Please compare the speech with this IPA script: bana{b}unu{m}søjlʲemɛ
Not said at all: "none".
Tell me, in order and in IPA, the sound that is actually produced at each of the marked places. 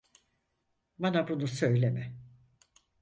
b, none

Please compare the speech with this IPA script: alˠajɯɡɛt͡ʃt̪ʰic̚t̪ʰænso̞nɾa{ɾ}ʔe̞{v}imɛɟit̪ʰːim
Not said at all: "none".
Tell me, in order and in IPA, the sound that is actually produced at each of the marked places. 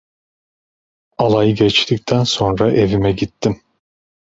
none, v

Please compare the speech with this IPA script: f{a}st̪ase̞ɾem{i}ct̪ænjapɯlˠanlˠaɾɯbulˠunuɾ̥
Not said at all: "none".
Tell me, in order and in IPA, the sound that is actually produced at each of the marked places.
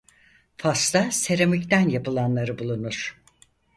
a, i

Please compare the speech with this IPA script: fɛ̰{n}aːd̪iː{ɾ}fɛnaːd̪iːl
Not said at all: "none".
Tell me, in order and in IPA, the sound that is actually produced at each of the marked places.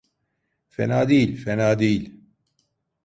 n, l

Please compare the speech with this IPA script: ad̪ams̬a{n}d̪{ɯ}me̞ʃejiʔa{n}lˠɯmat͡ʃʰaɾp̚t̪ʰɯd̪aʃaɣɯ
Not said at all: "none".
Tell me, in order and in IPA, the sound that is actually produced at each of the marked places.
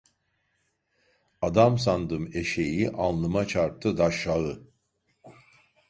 n, ɯ, n

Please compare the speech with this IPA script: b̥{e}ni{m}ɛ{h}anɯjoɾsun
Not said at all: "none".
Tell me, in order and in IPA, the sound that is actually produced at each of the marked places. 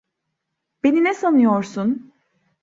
e, n, s

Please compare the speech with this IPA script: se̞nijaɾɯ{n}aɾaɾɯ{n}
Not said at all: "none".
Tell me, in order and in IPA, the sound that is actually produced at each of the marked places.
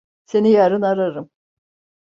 n, m

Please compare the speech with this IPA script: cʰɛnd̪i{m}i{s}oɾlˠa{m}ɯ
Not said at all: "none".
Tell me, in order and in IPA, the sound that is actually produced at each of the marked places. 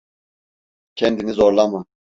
n, z, m

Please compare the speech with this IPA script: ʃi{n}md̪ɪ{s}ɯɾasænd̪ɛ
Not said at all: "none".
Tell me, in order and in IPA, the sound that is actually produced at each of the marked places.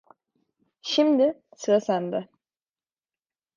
none, s

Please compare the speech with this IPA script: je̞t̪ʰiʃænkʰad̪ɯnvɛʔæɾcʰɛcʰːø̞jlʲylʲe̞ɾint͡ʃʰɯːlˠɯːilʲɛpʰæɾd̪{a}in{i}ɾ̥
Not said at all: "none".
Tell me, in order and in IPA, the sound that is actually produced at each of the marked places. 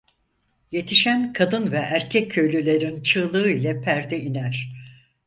ɛ, æ

